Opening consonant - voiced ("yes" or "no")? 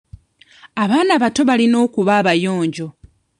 yes